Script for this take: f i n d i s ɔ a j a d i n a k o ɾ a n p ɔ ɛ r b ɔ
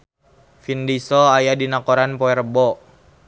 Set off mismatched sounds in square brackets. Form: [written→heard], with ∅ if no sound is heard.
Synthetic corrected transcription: f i n d i s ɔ a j a d i n a k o ɾ a n p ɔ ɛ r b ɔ